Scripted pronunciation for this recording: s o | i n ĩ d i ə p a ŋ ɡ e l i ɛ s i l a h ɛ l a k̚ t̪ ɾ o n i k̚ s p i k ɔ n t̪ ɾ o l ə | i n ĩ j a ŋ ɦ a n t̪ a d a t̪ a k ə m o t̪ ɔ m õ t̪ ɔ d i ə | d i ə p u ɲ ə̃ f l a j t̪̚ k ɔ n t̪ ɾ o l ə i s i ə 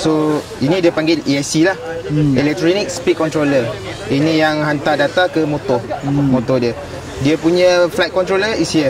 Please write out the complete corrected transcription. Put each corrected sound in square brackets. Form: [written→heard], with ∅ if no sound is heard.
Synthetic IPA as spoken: s o | i n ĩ d i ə p a ŋ ɡ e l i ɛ s i l a h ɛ l [a→ɛ] k̚ t̪ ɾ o n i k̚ s p i k ɔ n t̪ ɾ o l ə | i n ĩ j a ŋ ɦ a n t̪ a d a t̪ a k ə m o t̪ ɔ m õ t̪ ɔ d i ə | d i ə p u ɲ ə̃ f l a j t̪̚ k ɔ n t̪ ɾ o l ə i s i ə